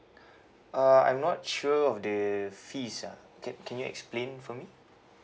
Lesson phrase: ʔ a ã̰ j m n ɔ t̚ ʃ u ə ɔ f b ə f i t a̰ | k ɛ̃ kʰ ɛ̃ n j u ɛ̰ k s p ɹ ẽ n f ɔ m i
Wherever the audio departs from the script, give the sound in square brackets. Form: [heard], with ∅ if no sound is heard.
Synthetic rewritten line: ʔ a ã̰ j m n ɔ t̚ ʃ u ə ɔ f [d] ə f i [s] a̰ | k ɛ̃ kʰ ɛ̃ n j u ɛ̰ k s p [l] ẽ n f ɔ m i